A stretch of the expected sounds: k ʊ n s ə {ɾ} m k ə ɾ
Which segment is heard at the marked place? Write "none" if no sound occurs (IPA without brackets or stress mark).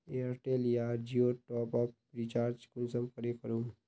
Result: none